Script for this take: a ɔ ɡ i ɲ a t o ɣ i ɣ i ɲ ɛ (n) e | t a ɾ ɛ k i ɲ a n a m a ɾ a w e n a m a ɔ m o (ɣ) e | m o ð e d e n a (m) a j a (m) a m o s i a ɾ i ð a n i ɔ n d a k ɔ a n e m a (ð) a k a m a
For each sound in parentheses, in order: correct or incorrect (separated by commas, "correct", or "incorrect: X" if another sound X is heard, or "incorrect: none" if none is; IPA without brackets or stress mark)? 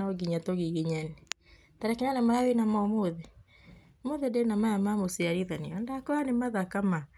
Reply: correct, incorrect: ð, correct, correct, correct